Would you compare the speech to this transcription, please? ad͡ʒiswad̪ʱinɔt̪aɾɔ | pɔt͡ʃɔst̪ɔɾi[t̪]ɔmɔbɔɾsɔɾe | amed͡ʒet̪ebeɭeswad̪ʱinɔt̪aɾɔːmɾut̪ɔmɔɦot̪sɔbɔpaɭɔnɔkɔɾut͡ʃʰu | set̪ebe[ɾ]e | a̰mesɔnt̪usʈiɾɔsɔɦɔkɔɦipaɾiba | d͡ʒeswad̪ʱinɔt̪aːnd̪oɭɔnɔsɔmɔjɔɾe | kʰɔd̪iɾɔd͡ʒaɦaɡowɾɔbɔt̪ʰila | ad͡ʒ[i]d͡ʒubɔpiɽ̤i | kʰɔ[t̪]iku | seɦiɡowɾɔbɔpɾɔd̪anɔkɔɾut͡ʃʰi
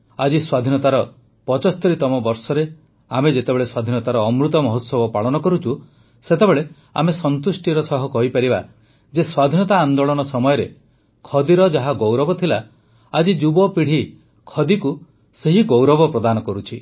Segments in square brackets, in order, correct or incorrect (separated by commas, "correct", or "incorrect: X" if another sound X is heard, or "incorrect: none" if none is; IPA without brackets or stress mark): correct, incorrect: ɭ, correct, incorrect: d̪